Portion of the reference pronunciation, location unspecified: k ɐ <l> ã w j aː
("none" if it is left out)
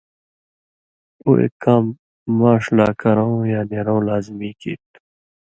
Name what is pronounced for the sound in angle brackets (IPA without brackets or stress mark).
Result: ɾ